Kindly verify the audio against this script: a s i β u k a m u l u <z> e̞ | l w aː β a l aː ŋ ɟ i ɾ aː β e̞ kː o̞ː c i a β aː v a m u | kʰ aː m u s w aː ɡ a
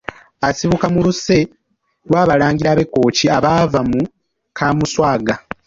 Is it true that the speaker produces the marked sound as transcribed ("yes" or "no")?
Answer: no